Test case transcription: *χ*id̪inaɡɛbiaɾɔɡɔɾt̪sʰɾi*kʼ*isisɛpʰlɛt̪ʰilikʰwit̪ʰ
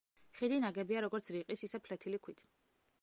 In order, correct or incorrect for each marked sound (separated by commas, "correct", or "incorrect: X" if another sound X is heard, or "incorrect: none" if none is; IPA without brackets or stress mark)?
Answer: correct, incorrect: qʼ